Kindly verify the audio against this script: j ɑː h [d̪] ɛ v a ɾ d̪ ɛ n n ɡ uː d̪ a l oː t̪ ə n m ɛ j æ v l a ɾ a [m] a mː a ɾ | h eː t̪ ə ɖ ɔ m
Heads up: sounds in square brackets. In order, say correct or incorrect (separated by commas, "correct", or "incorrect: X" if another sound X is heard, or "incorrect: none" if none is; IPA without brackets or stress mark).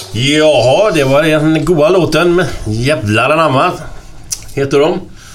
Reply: correct, incorrect: n